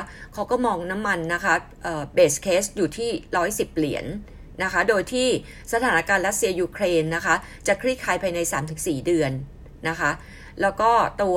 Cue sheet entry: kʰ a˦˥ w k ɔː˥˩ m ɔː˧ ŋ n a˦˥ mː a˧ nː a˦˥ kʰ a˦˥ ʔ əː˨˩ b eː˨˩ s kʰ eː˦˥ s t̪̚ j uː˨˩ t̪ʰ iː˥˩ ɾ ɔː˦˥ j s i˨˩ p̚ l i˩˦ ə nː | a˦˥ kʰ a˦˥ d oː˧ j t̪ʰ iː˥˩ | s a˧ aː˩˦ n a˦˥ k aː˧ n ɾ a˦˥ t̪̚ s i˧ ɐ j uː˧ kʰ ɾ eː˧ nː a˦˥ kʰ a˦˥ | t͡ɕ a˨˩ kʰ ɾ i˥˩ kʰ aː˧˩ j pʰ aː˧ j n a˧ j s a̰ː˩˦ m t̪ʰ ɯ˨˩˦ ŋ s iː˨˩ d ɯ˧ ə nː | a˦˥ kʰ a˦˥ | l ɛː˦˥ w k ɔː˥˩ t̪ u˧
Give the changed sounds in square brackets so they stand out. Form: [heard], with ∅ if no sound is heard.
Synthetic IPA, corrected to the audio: kʰ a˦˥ w k ɔː˥˩ m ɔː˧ ŋ n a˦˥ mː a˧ nː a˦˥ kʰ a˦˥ ʔ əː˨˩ b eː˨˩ s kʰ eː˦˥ s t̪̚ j uː˨˩ t̪ʰ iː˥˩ ɾ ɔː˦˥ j s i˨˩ p̚ l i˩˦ ə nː | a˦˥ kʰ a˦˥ d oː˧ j t̪ʰ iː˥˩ | s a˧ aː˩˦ n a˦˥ k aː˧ n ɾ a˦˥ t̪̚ s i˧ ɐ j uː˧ kʰ ɾ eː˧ nː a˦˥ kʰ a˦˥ | t͡ɕ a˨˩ kʰ ɾ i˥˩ kʰ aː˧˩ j pʰ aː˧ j n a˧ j s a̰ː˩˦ m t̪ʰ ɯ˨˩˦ ŋ s iː˨˩ d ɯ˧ ə nː | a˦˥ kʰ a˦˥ | l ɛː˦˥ w k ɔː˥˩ t̪ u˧